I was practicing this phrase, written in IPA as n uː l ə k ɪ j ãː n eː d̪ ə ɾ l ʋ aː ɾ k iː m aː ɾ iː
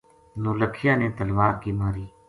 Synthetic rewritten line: n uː l ə kʰ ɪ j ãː n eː t̪ ə l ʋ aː ɾ k iː m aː ɾ iː